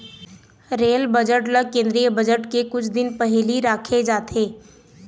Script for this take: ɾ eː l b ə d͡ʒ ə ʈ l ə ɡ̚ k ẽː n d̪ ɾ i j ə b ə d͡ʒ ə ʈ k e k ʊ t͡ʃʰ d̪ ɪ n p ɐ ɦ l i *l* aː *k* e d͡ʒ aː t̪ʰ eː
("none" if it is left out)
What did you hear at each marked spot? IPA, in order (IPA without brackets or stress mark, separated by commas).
ɾ, kʰ